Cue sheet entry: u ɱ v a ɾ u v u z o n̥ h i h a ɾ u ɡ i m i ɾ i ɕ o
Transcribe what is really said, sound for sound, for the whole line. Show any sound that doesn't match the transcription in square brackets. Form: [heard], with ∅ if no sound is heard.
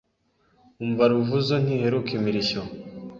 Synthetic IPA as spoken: u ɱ v a ɾ u v u z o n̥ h i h [e] ɾ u [k] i m i ɾ i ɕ o